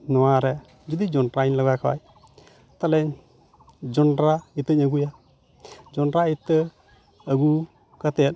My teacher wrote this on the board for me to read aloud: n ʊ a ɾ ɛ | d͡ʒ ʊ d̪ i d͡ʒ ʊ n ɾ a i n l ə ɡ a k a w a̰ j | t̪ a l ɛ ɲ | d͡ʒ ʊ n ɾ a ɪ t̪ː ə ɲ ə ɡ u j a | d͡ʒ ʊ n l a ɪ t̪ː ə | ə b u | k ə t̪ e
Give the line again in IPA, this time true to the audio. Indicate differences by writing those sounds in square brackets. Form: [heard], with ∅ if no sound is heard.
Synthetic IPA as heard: n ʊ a ɾ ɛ | d͡ʒ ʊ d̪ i d͡ʒ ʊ n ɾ a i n l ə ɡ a k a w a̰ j | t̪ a l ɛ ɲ | d͡ʒ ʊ n ɾ a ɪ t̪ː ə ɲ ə ɡ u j a | d͡ʒ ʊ n [ɾ] a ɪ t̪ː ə | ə [ɡ] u | k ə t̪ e